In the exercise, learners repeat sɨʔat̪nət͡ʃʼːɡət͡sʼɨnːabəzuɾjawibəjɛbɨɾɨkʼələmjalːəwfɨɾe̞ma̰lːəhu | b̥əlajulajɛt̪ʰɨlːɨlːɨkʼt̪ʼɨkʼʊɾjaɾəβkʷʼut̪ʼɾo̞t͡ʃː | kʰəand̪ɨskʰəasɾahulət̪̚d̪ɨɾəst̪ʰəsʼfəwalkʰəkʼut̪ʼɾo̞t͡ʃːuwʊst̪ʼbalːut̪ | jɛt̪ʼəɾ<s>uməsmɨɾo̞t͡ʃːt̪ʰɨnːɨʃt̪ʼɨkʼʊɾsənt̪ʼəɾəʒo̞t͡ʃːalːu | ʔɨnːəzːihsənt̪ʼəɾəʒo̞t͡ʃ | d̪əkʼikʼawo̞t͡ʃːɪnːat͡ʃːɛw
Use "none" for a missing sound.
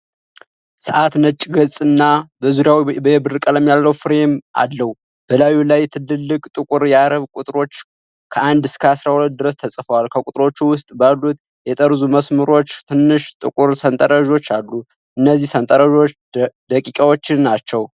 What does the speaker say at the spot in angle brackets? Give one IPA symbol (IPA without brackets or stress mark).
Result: z